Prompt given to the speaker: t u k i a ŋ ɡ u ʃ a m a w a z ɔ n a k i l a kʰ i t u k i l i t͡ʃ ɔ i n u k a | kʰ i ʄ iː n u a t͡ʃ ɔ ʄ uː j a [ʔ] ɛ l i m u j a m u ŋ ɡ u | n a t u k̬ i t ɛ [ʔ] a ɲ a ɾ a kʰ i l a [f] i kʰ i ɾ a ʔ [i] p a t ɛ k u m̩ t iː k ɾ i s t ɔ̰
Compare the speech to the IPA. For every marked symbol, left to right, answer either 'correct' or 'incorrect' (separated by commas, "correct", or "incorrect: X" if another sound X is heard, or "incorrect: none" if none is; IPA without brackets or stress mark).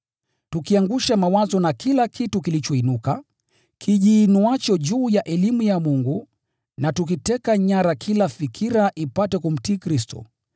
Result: correct, incorrect: k, correct, correct